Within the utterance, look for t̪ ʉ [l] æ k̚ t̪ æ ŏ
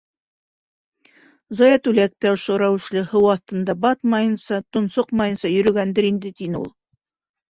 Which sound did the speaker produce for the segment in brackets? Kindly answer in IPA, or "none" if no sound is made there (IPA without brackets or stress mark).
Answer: l